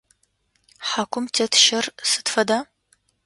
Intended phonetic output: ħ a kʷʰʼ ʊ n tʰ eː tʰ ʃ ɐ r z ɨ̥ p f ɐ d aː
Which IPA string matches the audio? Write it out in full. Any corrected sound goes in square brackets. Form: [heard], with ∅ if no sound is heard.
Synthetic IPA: ħ a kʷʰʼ ʊ [m] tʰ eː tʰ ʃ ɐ r [s] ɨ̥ [t] f ɐ d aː